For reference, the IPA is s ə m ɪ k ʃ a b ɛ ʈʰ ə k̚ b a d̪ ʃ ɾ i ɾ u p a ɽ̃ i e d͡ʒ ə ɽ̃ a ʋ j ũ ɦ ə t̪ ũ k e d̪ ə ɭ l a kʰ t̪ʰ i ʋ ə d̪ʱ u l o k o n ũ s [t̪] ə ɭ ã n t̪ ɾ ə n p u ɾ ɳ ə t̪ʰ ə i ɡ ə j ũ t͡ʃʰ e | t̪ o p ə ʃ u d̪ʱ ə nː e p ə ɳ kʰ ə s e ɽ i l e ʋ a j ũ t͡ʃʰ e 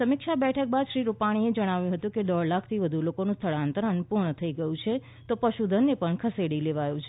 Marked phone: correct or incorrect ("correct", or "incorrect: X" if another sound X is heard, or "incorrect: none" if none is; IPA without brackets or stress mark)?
incorrect: t̪ʰ